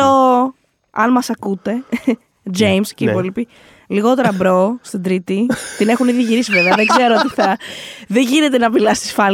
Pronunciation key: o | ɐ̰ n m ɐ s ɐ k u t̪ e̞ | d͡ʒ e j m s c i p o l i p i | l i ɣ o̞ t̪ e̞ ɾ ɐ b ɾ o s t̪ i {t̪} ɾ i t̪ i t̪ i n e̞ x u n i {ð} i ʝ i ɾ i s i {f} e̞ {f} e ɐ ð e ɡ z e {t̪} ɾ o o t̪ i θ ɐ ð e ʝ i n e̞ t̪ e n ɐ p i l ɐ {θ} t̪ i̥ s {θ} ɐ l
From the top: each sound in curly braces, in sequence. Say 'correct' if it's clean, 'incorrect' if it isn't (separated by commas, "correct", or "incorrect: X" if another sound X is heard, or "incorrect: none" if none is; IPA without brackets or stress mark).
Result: incorrect: d̪, correct, incorrect: v, incorrect: v, incorrect: none, incorrect: s, incorrect: f